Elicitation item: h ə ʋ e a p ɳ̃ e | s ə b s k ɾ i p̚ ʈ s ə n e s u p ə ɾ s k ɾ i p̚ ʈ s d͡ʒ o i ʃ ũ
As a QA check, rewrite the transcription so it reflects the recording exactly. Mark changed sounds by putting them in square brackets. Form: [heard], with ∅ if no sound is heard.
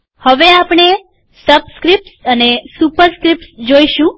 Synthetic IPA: h ə ʋ e a p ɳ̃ e | s ə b s k ɾ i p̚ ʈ s ə n e s u p ə ɾ s k ɾ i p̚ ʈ s d͡ʒ o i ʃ ũ